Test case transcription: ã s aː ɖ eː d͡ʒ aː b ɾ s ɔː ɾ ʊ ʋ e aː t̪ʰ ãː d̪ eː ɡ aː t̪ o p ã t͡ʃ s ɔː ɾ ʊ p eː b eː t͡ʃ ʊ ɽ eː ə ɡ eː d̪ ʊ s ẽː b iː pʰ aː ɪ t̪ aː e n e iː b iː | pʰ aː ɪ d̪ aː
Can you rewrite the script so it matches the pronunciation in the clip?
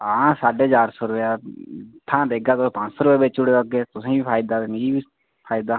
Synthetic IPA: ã s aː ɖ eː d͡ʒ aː ɾ s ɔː ɾ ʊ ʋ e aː t̪ʰ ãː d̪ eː ɡ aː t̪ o p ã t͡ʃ s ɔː ɾ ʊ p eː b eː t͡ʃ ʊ ɽ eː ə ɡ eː t̪ ʊ s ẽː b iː pʰ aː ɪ d̪ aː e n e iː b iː | pʰ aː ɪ d̪ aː